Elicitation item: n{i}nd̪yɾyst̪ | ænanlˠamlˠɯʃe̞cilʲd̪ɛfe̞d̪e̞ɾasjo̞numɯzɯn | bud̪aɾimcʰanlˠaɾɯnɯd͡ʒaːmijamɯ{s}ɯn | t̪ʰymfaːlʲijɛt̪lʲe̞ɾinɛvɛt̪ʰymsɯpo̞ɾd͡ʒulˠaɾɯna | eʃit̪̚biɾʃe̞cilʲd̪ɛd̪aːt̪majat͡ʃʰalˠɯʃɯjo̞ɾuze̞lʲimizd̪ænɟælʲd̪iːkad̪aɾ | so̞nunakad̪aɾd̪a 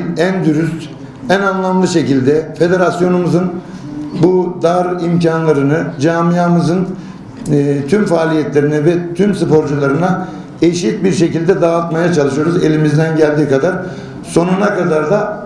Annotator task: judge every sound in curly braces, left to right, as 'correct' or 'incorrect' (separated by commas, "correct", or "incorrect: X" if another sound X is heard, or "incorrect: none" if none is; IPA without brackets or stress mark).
incorrect: æ, incorrect: z